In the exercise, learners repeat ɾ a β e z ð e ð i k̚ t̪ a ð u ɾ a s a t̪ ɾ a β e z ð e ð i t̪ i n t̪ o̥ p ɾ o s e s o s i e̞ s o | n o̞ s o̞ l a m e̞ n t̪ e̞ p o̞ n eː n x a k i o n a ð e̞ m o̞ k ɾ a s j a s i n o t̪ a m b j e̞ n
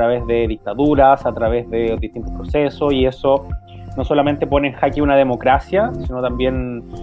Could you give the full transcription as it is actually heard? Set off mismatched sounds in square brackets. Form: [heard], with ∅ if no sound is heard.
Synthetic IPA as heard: ɾ a β e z ð e ð i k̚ t̪ a ð u ɾ a s a t̪ ɾ a β e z ð e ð i t̪ i n t̪ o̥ p ɾ o s e s o s i e̞ s o | n o̞ s o̞ l a m e̞ n t̪ e̞ p o̞ n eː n x a k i [u] n a ð e̞ m o̞ k ɾ a s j a s i n o t̪ a m b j e̞ n